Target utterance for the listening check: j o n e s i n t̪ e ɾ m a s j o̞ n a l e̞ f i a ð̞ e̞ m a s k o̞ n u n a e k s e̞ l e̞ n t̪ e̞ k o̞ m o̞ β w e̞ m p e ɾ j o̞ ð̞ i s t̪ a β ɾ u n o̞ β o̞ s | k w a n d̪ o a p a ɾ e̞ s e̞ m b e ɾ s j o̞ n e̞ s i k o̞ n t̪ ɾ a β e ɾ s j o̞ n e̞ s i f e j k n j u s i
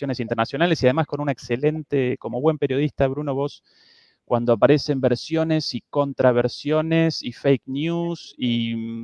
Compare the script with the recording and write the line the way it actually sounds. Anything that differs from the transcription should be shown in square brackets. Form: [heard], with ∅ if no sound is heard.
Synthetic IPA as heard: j o n e s i n t̪ e ɾ [n] a s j o̞ n a l e̞ [s] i a ð̞ e̞ m a s k o̞ n u n a e k s e̞ l e̞ n t̪ e̞ k o̞ m o̞ β w e̞ m p e ɾ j o̞ ð̞ i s t̪ a β ɾ u n o̞ β o̞ s | k w a n d̪ o a p a ɾ e̞ s e̞ m b e ɾ s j o̞ n e̞ s i k o̞ n t̪ ɾ a β e ɾ s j o̞ n e̞ s i f e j k n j u s i